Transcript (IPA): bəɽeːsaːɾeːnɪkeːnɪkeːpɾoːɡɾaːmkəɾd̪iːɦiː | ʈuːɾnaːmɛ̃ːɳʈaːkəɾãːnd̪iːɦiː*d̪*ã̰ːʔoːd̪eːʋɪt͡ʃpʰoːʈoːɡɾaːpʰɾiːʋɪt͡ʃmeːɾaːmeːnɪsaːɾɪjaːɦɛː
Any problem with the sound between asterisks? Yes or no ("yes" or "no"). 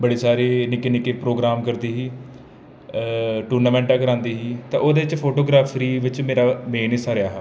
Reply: yes